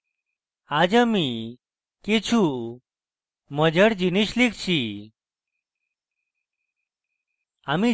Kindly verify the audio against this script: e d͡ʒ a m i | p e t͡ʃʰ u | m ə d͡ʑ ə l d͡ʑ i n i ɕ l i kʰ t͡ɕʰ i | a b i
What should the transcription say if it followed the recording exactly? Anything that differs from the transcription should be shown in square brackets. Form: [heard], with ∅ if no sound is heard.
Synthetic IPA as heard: [a] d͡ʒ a m i | [k] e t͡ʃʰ u | m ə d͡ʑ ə [ɽ] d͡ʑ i n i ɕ l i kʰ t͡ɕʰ i | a [m] i

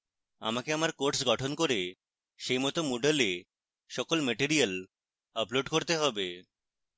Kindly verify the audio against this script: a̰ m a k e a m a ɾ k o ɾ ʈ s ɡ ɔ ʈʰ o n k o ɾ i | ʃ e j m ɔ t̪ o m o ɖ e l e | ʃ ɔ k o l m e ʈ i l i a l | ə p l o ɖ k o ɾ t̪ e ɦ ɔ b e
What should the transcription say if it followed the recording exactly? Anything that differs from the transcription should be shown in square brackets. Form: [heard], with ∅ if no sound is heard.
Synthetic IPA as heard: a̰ m a k e a m a ɾ k o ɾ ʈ s ɡ ɔ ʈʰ o n k o ɾ [e] | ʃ e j m ɔ t̪ o m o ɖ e l e | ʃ ɔ k o l m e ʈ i [ɾ] i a l | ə p l o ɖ k o ɾ t̪ e ɦ ɔ b e

